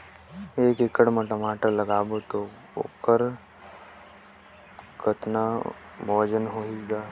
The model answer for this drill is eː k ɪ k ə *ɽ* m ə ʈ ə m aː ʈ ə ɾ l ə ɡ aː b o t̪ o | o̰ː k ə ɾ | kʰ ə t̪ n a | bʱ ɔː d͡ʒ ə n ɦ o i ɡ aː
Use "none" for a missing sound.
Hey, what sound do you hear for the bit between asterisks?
ɽ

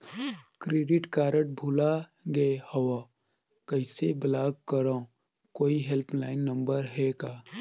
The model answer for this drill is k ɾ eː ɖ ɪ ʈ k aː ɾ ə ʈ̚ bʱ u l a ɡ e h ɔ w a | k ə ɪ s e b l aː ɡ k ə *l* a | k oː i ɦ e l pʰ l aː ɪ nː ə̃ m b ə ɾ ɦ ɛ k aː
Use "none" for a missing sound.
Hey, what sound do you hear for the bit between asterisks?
ɾ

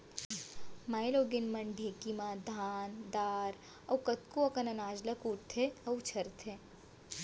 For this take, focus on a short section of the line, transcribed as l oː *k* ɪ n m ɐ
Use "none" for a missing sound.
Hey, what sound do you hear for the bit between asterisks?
ɡ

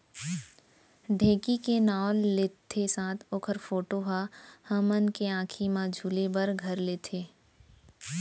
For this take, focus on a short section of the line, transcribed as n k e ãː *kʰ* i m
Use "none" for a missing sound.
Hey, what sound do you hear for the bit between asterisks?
kʰ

